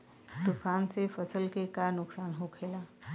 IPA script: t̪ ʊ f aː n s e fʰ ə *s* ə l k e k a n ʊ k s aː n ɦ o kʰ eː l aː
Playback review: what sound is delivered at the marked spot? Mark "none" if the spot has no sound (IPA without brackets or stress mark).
s